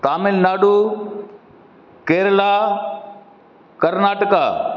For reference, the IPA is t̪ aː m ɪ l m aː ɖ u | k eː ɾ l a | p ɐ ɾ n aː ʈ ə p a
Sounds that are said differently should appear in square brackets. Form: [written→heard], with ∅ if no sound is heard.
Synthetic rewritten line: t̪ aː m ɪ l [m→n] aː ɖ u | k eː ɾ l a | [p→k] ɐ ɾ n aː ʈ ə [p→k] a